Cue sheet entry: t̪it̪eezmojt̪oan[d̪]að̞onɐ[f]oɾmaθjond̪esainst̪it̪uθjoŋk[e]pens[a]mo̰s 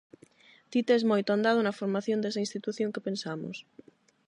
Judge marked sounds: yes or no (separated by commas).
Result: yes, yes, yes, yes